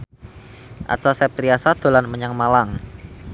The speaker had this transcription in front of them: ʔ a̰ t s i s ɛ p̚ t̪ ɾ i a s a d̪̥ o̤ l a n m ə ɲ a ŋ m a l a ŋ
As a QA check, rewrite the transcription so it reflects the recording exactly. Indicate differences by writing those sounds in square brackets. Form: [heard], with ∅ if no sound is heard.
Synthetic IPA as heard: ʔ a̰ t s [a] s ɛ p̚ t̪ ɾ i a s a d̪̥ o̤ l a n m ə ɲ a ŋ m a l a ŋ